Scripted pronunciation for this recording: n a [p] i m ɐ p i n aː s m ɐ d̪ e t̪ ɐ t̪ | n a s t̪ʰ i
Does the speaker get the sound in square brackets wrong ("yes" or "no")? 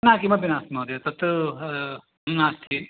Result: yes